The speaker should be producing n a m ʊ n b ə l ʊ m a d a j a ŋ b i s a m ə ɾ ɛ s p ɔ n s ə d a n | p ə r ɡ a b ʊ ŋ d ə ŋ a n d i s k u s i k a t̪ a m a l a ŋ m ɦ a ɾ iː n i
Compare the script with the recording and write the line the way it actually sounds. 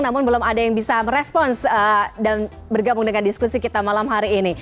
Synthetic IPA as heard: n a m ʊ n b ə l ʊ m a d a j a ŋ b i s a m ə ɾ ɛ s p ɔ n s ə d a n | b ə r ɡ a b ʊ ŋ d ə ŋ a n d i s k u s i k i t̪ a m a l a m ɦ a ɾ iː n i